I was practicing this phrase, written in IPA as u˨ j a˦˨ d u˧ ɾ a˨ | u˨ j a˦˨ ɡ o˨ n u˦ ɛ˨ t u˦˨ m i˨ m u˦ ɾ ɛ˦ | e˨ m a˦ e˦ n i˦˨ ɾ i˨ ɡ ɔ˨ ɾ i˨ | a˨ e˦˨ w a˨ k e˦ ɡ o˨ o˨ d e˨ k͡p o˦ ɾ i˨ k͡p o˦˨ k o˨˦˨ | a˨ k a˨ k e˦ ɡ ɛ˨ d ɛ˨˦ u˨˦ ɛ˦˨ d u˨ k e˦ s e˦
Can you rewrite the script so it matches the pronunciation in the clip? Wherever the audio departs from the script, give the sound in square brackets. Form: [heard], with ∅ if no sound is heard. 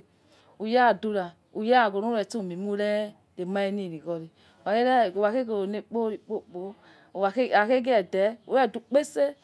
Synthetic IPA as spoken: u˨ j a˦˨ d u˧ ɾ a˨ | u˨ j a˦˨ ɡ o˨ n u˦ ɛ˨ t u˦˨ m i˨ m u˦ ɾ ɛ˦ | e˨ m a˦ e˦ n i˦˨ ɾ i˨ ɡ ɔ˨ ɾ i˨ | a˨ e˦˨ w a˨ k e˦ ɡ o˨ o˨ [n] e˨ k͡p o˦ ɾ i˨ k͡p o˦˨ [k͡p] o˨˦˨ | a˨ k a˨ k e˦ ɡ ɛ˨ d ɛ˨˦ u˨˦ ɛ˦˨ d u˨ [k͡p] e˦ s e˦